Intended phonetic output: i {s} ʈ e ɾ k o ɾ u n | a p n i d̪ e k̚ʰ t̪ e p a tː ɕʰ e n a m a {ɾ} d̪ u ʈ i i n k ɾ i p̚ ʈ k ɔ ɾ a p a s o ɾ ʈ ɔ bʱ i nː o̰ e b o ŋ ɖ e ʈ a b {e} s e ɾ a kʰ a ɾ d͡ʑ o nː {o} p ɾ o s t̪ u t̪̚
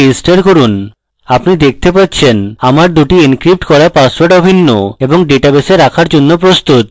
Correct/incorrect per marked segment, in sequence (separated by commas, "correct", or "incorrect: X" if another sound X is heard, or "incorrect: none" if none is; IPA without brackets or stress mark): correct, correct, correct, correct